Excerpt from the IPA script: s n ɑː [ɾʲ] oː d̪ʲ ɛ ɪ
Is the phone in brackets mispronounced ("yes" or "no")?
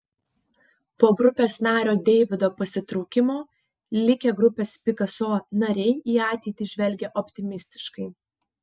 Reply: no